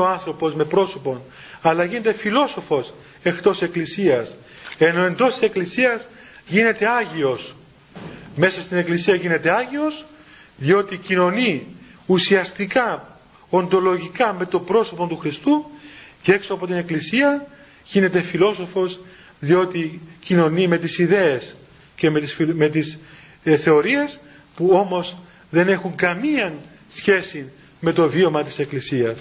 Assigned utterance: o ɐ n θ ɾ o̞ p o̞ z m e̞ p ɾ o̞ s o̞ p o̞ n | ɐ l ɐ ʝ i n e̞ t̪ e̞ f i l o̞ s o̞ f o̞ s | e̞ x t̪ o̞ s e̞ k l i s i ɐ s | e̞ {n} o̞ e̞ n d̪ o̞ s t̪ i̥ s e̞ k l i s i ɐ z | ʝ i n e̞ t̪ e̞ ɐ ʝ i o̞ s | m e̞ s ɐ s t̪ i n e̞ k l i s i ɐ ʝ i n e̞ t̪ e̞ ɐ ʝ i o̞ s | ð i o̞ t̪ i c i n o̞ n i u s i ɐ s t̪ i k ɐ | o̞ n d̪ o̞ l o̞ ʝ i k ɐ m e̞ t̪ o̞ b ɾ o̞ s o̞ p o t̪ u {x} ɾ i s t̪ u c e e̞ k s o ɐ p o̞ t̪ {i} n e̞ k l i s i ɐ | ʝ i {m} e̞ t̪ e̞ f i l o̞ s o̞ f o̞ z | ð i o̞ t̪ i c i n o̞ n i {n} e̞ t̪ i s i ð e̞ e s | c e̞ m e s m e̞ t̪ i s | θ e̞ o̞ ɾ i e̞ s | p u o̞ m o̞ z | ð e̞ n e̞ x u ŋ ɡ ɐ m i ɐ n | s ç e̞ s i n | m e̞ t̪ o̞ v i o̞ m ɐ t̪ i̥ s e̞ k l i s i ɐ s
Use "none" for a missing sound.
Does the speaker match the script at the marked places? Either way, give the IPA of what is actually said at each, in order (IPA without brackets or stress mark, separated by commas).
n, x, i, n, m